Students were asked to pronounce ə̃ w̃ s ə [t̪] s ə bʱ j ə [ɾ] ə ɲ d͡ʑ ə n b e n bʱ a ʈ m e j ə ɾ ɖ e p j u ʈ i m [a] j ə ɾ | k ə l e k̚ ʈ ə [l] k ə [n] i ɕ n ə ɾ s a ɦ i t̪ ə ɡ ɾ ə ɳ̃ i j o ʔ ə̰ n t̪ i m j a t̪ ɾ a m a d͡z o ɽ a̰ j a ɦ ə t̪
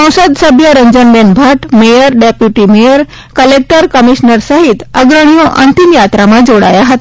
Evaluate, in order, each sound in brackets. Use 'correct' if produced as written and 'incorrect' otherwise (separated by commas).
incorrect, correct, incorrect, incorrect, incorrect